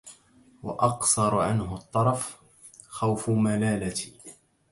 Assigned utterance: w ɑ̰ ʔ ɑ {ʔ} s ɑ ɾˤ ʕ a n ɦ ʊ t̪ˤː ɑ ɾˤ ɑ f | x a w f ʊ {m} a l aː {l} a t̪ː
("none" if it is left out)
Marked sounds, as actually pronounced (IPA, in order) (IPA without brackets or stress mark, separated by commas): q, m, l